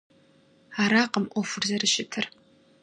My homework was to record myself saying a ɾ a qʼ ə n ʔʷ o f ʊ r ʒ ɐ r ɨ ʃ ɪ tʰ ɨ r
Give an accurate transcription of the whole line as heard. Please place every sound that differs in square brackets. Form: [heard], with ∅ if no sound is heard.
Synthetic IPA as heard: a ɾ a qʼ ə [m] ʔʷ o f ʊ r [z] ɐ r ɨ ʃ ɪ tʰ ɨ r